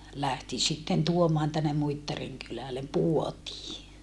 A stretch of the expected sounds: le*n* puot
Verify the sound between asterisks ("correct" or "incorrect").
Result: incorrect